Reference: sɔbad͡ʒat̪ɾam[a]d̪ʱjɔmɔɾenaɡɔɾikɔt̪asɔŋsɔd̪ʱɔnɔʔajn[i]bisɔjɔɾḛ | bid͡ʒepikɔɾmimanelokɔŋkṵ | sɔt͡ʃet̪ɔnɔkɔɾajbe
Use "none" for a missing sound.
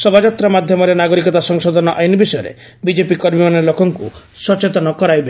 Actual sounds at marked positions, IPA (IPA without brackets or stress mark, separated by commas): a, i